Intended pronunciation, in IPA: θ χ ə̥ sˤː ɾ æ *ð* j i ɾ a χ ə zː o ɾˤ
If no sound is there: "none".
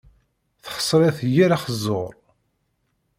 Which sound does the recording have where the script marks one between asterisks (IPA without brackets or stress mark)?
θ